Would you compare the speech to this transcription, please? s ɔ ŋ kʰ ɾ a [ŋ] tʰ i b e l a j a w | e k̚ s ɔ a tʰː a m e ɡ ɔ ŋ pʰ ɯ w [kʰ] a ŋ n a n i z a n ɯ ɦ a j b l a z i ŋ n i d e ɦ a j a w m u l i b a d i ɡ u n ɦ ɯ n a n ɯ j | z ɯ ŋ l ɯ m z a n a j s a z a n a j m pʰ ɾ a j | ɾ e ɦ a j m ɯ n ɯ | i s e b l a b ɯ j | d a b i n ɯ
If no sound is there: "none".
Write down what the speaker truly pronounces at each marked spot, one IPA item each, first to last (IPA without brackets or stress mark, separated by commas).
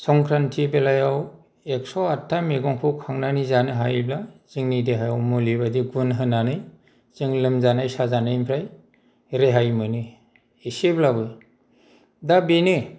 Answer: n, kʰ